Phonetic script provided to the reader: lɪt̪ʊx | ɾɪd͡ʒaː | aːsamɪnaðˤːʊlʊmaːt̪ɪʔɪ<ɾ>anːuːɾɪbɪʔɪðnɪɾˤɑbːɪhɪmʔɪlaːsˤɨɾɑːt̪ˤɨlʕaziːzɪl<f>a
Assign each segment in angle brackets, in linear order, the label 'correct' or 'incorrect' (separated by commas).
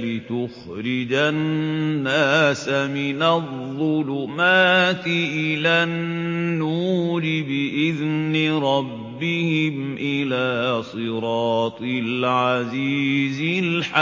incorrect, incorrect